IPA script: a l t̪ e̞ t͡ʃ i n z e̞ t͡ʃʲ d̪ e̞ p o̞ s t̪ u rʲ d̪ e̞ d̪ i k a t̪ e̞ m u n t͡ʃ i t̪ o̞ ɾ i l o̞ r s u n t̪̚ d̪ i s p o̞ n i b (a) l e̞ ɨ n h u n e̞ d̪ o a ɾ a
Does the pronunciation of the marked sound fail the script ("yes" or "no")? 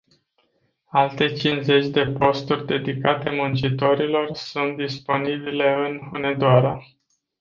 yes